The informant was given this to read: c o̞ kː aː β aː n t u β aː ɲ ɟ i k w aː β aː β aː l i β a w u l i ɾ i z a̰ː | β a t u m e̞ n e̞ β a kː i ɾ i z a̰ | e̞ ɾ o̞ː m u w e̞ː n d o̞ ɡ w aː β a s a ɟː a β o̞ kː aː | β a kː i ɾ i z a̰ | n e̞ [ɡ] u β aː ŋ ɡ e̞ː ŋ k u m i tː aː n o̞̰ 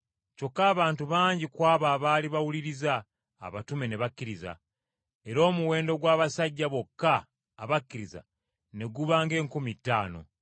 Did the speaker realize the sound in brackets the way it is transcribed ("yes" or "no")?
yes